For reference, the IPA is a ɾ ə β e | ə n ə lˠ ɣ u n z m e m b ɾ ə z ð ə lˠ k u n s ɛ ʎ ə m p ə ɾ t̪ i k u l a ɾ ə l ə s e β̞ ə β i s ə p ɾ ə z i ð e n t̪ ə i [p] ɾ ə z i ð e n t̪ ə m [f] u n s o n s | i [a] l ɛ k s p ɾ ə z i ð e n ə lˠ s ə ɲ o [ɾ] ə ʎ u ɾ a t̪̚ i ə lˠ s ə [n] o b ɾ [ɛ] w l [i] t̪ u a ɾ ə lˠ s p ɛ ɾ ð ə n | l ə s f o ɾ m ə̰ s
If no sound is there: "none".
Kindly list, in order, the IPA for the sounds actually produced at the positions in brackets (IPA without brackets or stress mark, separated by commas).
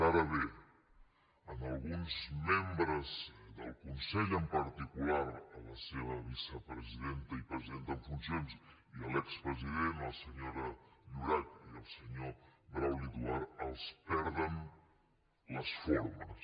p, f, ə, ɾ, ɲ, a, i